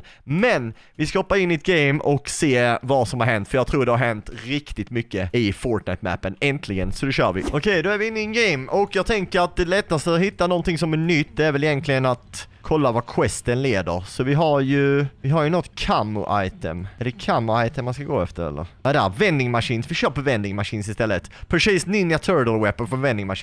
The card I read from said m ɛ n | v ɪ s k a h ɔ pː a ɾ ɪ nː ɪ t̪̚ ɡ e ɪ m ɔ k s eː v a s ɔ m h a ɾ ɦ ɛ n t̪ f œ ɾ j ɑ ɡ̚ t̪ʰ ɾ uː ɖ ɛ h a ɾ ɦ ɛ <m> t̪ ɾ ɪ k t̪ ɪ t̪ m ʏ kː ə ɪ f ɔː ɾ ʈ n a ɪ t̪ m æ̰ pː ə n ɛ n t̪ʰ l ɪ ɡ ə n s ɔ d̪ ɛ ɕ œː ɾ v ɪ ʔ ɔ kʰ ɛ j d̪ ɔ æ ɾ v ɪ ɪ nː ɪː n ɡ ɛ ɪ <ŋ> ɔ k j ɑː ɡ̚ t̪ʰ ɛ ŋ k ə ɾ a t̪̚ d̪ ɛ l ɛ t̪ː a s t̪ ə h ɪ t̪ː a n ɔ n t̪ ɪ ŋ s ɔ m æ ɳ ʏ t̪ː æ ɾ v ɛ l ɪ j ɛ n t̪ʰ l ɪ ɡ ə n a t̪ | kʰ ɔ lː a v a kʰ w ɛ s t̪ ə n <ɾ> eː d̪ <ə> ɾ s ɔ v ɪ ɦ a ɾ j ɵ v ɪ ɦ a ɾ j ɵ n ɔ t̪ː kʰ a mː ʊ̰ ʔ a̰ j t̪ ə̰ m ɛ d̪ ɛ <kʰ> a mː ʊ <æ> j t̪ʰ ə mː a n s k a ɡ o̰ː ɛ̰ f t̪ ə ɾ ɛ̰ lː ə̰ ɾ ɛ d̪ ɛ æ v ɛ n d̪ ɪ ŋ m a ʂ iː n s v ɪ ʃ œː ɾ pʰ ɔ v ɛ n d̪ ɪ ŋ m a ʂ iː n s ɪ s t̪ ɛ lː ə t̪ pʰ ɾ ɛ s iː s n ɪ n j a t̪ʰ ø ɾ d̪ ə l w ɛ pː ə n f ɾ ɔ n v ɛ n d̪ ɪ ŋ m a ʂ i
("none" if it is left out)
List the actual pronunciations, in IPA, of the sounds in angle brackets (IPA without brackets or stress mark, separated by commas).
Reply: n, m, l, ə, kʰ, a